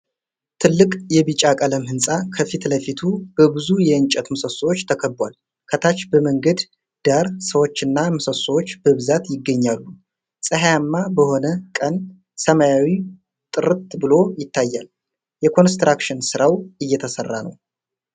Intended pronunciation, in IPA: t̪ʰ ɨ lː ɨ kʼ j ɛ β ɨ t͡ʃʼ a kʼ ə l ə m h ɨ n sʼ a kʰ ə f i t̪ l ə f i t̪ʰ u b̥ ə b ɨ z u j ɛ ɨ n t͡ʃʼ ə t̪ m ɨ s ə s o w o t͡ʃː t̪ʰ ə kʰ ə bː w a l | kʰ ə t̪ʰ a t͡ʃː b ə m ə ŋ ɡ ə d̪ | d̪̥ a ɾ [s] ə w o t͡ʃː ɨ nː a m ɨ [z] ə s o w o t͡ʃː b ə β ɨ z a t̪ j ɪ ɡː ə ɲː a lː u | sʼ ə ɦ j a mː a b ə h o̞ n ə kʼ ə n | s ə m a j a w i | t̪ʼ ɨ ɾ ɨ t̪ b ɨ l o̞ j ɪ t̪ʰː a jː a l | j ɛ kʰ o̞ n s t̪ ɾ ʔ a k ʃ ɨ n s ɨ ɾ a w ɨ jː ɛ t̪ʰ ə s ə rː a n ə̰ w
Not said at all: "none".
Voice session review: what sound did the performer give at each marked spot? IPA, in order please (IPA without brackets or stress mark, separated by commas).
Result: s, s